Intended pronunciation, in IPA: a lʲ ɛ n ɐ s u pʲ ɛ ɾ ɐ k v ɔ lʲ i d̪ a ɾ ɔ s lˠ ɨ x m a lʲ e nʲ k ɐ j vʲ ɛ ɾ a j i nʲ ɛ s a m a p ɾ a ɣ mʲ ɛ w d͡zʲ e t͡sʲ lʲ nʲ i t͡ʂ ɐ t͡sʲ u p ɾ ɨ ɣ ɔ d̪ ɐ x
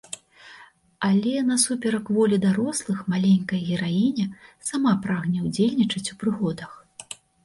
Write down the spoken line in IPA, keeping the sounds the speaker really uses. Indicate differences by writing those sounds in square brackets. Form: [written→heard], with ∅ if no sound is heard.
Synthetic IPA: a lʲ ɛ n ɐ s u pʲ ɛ ɾ ɐ k v ɔ lʲ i d̪ a ɾ ɔ s lˠ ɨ x m a lʲ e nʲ k ɐ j [vʲ→ɣʲ] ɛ ɾ a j i nʲ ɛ s a m a p ɾ a ɣ [mʲ→nʲ] ɛ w d͡zʲ e [t͡sʲ→∅] lʲ nʲ i t͡ʂ ɐ t͡sʲ u p ɾ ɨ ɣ ɔ d̪ ɐ x